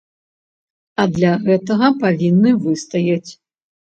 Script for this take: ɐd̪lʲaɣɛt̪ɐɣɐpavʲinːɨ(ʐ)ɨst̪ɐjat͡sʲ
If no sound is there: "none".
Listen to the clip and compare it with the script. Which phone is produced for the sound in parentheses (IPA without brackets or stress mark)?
v